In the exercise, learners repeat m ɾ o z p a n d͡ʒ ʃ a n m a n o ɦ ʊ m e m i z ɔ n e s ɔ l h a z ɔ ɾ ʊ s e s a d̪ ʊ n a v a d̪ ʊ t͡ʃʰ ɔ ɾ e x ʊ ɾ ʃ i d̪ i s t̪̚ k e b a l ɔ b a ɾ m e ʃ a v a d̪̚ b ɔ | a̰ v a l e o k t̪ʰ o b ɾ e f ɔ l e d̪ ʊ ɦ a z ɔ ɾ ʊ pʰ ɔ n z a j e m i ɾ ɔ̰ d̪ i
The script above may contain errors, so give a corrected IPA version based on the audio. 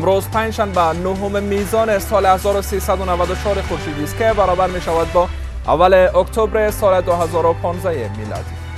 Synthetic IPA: m ɾ o z p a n d͡ʒ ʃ a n b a n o ɦ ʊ m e m i z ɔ n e s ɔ l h a z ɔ ɾ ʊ s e s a d̪ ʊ n a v a d̪ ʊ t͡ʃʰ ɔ ɾ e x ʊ ɾ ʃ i d̪ i s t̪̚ k e b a ɾ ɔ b a ɾ m e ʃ a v a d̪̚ b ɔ | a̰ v a l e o k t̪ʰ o b ɾ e s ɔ l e d̪ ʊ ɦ a z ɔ ɾ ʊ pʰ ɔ n z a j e m i l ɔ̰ d̪ i